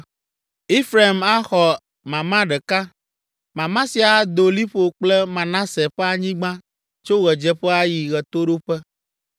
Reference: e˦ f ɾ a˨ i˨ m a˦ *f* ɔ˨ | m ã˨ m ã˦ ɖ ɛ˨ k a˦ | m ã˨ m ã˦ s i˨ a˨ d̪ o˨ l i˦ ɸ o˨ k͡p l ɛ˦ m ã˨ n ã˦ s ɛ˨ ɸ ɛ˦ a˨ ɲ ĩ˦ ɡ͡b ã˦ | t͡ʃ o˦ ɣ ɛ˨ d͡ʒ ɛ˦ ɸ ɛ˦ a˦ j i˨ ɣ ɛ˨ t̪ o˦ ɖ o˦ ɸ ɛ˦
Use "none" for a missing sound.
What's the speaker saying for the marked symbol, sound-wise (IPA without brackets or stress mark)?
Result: x